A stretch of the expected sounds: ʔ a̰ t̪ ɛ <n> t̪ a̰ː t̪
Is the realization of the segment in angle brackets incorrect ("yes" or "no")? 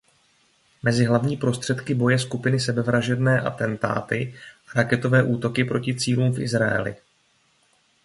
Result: no